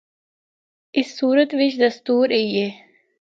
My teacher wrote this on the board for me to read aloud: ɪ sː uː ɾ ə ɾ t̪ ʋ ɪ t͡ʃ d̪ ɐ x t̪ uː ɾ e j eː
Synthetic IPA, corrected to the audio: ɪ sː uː ɾ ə t̪ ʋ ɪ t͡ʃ d̪ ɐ s t̪ uː ɾ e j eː